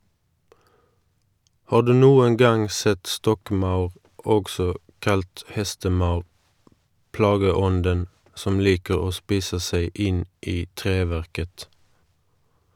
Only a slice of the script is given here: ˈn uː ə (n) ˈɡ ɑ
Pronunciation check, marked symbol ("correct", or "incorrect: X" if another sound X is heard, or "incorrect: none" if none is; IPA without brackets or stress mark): incorrect: ŋ